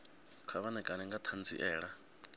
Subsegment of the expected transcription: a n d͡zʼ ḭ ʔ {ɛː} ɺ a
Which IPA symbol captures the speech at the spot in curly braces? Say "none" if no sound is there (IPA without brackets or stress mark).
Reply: ɛː